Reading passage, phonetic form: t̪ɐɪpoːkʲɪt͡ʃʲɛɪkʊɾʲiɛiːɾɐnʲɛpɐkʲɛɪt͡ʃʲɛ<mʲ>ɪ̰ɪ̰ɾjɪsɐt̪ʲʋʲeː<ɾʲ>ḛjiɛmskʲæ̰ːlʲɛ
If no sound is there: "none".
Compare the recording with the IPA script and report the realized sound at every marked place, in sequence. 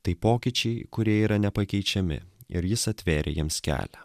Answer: mʲ, ɾʲ

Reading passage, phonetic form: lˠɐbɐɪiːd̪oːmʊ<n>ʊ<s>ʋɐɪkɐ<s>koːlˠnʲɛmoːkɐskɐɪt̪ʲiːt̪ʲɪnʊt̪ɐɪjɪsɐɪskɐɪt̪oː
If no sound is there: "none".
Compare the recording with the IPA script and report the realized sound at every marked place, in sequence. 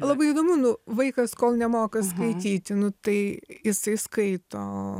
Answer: n, none, s

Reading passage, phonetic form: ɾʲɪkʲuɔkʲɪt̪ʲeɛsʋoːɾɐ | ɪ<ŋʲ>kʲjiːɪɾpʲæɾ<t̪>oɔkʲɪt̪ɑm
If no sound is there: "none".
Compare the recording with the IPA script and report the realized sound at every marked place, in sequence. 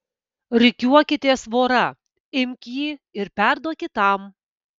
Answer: mʲ, d̪

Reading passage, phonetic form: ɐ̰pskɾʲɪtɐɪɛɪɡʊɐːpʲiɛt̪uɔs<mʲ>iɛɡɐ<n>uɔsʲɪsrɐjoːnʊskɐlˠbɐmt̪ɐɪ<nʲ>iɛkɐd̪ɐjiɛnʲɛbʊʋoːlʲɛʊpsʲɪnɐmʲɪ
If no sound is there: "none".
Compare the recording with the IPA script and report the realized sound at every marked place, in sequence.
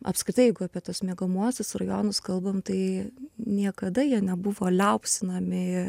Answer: mʲ, m, nʲ

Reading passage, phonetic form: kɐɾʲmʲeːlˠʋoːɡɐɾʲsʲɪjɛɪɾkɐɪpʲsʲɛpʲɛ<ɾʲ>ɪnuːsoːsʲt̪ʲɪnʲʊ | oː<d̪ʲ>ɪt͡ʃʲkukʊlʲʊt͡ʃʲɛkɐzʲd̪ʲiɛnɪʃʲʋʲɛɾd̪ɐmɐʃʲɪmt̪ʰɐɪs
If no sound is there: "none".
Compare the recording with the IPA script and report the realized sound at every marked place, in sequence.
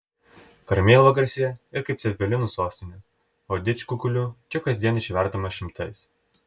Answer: lʲ, d̪ʲ

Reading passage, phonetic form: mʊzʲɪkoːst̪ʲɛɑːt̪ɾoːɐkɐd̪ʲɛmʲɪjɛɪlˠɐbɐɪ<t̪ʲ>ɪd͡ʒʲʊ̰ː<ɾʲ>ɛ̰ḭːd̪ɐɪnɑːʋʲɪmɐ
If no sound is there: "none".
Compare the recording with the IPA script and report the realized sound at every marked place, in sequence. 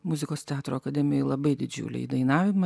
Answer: d̪ʲ, lʲ

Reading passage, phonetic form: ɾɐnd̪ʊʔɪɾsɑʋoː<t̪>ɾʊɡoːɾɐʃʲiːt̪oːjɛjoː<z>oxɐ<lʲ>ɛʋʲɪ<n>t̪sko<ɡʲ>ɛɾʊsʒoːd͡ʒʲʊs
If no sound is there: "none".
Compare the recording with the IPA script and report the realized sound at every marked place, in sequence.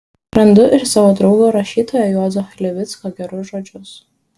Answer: d̪, z, lʲ, none, ɡʲ

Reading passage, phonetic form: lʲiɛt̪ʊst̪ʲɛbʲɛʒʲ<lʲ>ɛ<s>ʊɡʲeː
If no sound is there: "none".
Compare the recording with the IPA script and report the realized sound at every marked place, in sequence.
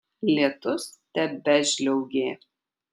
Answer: lʲ, none

